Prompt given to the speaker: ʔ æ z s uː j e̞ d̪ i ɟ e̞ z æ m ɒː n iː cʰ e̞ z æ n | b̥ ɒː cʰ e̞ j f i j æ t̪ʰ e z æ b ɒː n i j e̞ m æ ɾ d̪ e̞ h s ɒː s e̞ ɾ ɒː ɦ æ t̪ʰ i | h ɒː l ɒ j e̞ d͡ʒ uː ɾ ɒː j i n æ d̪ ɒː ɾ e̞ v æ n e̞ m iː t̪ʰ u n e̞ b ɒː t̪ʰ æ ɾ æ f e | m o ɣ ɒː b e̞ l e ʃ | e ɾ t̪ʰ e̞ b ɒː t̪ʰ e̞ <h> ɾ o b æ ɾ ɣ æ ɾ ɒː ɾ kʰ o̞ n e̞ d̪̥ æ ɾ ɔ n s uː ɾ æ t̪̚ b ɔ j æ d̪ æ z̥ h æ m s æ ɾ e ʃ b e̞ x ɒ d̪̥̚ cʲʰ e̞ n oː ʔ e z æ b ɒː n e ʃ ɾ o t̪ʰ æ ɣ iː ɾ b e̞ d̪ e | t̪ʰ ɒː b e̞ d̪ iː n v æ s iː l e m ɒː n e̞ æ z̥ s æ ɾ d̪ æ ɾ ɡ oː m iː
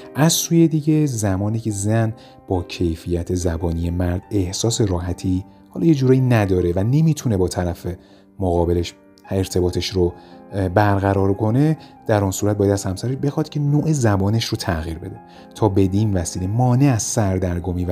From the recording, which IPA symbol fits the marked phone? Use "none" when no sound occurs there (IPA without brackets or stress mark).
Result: ʃ